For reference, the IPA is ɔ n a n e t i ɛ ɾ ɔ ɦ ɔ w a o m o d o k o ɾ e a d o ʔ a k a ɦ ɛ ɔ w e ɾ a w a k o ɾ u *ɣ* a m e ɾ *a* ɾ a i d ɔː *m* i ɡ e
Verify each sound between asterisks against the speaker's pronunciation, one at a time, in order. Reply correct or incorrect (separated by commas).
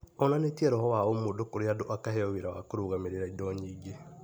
correct, incorrect, incorrect